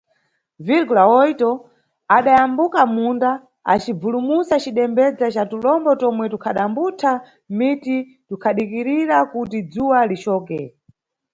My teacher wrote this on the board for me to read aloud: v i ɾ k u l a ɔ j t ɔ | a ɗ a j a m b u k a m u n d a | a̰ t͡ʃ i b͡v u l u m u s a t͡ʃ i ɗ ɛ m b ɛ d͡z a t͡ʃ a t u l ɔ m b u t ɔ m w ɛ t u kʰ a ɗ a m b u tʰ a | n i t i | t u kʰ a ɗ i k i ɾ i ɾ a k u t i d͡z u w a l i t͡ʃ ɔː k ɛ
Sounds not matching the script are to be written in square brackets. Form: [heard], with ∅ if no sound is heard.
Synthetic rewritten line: v i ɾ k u l a ɔ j t ɔ | a ɗ a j a m b u k a m u n d a | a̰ t͡ʃ i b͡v u l u m u s a t͡ʃ i ɗ ɛ m b ɛ d͡z a t͡ʃ a t u l ɔ m b [ɔ] t ɔ m w ɛ t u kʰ a ɗ a m b u tʰ a | [m] i t i | t u kʰ a ɗ i k i ɾ i ɾ a k u t i d͡z u w a l i t͡ʃ ɔː k ɛ